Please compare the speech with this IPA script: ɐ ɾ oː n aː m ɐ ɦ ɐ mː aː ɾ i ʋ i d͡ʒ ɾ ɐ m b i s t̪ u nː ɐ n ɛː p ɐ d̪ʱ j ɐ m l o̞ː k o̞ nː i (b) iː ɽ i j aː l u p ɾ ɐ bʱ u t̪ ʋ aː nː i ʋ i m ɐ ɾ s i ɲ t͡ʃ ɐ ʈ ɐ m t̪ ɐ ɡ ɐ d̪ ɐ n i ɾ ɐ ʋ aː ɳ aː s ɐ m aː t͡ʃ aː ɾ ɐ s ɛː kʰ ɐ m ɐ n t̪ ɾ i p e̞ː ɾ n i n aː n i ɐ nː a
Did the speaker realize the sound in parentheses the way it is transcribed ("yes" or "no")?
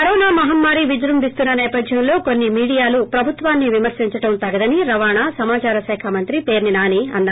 no